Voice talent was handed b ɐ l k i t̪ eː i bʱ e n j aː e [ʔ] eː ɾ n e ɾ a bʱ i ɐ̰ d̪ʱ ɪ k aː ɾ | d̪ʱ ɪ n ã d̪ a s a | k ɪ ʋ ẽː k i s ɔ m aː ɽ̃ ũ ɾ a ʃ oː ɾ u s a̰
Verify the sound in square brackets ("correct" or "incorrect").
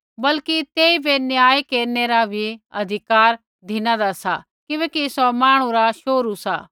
incorrect